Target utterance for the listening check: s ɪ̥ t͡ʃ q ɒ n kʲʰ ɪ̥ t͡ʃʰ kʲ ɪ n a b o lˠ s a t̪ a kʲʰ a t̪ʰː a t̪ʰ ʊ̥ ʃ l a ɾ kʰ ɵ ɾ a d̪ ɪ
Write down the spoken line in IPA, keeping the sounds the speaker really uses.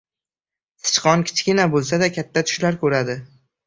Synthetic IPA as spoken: s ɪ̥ t͡ʃ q ɒ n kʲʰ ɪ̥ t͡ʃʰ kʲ ɪ n a b o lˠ s a d̪ a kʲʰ a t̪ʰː a t̪ʰ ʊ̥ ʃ l a ɾ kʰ ɵ ɾ a d̪ ɪ